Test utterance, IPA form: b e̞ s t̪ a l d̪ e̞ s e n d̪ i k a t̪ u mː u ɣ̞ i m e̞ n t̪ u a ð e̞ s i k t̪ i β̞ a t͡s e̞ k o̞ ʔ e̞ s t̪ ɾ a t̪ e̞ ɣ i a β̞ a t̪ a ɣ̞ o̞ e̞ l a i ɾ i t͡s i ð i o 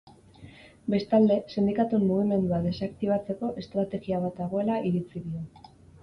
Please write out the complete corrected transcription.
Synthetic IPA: b e̞ s t̪ a l d̪ e̞ s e n d̪ i k a t̪ u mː u ɣ̞ i m e̞ n d̪ u a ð e̞ s a k t̪ i β̞ a t͡s e̞ k o̞ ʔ e̞ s t̪ ɾ a t̪ e̞ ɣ i a β̞ a t̪ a ɣ̞ o̞ e̞ l a i ɾ i t͡s i ð i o